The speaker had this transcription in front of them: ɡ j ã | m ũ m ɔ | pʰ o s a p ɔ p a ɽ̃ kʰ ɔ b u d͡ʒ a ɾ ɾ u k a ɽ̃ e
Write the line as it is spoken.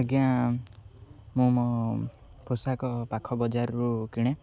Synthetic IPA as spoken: ɡ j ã | m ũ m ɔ | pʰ o s a k ɔ p a kʰ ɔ b ɔ d͡ʒ a ɾ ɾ u k i ɽ̃ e